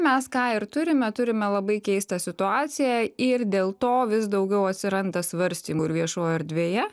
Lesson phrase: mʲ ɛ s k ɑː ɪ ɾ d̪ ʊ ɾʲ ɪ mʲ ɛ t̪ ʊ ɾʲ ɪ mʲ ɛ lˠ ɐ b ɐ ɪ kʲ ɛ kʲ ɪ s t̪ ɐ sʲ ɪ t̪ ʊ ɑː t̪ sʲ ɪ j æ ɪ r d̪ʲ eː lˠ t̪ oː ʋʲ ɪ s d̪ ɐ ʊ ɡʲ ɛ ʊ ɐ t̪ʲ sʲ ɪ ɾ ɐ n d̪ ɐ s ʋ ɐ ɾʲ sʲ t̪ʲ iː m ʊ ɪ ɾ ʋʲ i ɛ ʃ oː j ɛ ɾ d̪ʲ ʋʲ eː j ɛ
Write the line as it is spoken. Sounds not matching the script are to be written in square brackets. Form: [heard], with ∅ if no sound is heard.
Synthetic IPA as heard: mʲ ɛ s k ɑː ɪ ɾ [t̪] ʊ ɾʲ ɪ mʲ ɛ t̪ ʊ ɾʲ ɪ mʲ ɛ lˠ ɐ b ɐ ɪ kʲ ɛ [∅] ɪ s t̪ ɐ sʲ ɪ t̪ ʊ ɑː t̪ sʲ ɪ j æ ɪ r d̪ʲ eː lˠ t̪ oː ʋʲ ɪ s d̪ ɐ ʊ ɡʲ ɛ ʊ ɐ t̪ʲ sʲ ɪ ɾ ɐ n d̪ ɐ s ʋ ɐ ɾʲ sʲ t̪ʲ iː m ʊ ɪ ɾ ʋʲ i ɛ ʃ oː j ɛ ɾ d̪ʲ ʋʲ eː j ɛ